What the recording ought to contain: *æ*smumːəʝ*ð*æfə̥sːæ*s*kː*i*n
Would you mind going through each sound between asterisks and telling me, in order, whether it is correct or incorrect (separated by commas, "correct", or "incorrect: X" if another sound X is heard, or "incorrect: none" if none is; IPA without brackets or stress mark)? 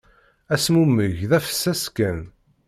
correct, correct, correct, incorrect: æ